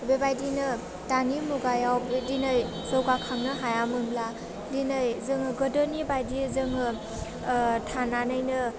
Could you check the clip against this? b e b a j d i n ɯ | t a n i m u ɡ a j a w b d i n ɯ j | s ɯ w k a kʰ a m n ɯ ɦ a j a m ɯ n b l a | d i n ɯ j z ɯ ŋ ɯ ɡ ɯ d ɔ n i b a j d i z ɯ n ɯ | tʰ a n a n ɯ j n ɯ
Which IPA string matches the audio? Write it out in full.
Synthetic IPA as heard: b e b a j d i n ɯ | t a n i m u ɡ a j a w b d i n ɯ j | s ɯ w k a kʰ a ŋ n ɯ ɦ a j a m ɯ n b l a | d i n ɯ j z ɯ ŋ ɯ ɡ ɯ d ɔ n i b a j d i z ɯ ŋ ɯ | tʰ a n a n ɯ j n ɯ